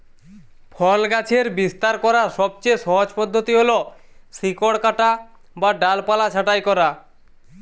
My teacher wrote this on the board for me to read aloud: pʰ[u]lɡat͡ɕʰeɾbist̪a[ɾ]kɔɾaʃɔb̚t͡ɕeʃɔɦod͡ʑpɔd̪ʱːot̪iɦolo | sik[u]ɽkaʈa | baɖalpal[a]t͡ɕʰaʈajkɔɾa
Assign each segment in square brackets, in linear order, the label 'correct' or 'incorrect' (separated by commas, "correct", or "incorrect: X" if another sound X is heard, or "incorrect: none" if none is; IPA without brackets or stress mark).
incorrect: ɔ, correct, incorrect: o, correct